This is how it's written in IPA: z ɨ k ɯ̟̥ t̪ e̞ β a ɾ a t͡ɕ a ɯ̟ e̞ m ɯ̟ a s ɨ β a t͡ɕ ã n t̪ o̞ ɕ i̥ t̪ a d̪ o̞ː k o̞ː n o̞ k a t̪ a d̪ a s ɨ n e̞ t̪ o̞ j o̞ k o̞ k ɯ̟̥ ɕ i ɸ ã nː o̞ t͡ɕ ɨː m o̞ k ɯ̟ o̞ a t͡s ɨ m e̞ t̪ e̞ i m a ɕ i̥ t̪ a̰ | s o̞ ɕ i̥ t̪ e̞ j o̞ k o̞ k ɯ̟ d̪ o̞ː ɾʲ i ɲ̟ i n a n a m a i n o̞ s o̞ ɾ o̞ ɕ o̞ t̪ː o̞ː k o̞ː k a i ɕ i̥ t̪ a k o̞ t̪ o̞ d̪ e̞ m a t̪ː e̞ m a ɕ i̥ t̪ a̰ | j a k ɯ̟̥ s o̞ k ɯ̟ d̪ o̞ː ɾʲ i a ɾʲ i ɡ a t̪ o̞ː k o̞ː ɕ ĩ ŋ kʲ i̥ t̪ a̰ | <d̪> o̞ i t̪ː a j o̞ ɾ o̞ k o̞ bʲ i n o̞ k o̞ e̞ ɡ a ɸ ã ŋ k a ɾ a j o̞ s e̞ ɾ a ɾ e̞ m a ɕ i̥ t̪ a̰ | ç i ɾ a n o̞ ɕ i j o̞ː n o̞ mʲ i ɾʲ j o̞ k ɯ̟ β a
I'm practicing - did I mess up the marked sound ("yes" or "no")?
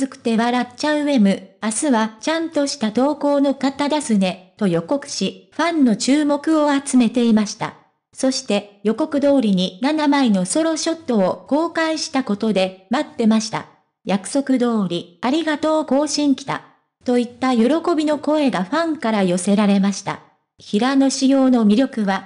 yes